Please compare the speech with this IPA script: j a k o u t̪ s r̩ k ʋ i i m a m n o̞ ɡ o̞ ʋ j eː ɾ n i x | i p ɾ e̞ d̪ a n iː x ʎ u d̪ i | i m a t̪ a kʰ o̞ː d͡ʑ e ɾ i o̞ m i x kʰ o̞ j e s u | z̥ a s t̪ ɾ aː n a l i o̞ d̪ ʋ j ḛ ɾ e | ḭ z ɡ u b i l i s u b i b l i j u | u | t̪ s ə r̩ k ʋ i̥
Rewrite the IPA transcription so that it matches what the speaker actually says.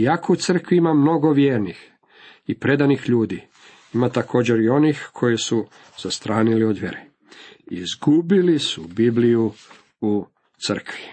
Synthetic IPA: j a k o u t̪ s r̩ k ʋ i i m a m n o̞ ɡ o̞ ʋ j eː ɾ n i x | i p ɾ e̞ d̪ a n i x ʎ uː d̪ i | i m a t̪ a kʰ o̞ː d͡ʑ e ɾ i o̞ n i x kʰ o̞ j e s u | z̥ a s t̪ ɾ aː n i l i o̞ d̪ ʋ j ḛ ɾ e | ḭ z ɡ u b i l i s u b i b l i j u | u | t̪ s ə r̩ k ʋ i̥